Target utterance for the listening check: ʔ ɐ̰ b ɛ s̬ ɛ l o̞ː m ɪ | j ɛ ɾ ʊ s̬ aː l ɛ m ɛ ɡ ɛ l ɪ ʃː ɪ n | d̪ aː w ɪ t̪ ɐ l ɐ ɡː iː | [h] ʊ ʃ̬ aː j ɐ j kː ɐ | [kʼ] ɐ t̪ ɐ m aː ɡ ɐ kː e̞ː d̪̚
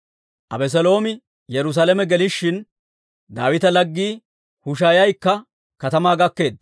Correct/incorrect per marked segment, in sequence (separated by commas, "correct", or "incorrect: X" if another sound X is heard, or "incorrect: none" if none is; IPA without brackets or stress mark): correct, incorrect: k